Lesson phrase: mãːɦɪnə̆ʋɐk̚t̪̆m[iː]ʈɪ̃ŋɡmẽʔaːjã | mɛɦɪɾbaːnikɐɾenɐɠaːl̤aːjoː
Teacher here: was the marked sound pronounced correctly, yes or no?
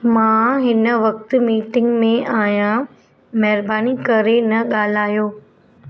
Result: yes